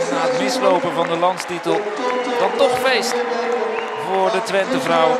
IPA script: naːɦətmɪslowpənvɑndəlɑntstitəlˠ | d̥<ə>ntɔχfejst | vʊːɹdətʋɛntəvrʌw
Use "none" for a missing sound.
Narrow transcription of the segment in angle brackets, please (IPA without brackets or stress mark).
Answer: ɑ